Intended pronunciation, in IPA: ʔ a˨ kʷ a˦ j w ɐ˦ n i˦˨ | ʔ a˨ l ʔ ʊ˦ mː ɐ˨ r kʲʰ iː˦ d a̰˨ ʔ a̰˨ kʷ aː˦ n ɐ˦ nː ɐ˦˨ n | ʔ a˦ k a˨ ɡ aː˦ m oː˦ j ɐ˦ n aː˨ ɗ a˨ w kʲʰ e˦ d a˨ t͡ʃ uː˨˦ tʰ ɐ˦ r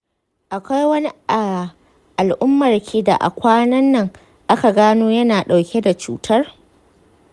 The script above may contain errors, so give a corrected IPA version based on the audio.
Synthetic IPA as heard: ʔ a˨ kʷ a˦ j w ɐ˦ n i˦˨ | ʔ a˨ l ʔ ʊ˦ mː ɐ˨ r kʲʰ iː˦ d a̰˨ ʔ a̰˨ kʷ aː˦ n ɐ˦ nː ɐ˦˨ ŋ | ʔ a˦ k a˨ ɡ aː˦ n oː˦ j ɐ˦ n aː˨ ɗ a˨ w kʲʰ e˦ d a˨ t͡ʃ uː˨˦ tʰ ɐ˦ r